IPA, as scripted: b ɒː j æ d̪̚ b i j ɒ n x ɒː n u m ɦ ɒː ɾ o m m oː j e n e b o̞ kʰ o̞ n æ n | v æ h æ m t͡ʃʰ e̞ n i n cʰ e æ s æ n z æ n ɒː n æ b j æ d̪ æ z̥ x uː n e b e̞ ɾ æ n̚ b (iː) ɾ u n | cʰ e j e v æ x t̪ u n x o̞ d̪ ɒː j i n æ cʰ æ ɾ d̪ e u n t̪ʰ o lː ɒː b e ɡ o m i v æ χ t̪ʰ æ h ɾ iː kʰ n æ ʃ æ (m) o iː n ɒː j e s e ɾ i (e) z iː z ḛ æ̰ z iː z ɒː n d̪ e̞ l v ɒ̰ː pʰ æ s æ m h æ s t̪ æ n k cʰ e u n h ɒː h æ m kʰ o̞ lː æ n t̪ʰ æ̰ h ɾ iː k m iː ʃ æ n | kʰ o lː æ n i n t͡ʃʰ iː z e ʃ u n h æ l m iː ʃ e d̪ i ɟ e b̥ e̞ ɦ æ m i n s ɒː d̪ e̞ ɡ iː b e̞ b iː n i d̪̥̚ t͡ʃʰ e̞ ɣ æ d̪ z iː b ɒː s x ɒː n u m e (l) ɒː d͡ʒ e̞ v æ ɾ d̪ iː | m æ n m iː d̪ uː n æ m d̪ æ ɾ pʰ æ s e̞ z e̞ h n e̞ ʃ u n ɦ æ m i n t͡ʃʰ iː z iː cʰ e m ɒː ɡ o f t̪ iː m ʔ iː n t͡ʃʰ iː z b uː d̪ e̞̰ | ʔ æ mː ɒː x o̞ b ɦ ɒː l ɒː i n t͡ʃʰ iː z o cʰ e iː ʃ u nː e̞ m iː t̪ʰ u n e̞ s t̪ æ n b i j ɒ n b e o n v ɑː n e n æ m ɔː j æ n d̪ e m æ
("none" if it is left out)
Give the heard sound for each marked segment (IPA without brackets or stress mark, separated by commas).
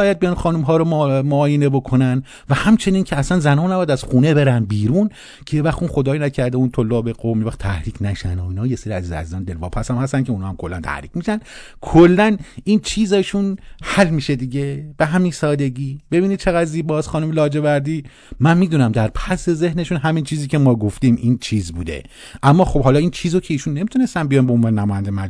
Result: iː, n, æ, l